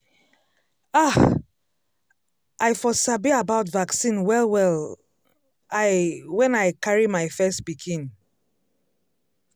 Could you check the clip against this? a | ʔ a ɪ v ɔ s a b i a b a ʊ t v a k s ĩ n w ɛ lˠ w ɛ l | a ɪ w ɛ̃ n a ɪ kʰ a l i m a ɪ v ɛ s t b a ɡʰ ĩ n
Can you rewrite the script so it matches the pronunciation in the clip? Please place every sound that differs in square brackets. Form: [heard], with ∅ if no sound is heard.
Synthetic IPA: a | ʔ a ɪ [f] ɔ s a b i a b a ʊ t v a k s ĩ n w ɛ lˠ w ɛ l | a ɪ w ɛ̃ n a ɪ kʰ a [ɹ] i m a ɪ [f] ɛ s t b [i] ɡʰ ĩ n

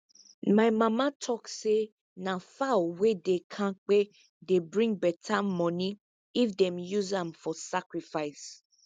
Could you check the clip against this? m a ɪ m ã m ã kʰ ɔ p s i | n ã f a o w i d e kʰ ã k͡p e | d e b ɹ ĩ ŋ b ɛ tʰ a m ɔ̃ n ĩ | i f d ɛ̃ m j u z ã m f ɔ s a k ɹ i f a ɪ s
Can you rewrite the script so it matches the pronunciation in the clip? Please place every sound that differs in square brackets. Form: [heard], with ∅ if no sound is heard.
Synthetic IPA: m a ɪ m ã m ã [tʰ] ɔ [k] s [e] | n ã f a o w [e] d e kʰ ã k͡p e | d e b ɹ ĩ ŋ b ɛ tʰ a m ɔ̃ n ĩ | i f d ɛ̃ m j u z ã m f ɔ s a k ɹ i f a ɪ s

